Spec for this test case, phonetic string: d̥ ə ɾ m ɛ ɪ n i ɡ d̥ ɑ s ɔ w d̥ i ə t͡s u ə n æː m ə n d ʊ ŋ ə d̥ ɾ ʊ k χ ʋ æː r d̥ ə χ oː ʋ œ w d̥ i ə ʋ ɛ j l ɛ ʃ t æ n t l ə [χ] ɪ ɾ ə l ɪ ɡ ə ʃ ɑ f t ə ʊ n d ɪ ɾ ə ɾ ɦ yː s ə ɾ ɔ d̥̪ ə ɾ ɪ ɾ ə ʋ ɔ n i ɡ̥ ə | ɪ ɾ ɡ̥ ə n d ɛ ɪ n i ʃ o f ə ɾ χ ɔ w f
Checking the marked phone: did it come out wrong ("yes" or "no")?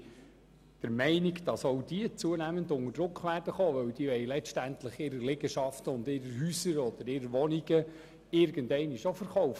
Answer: no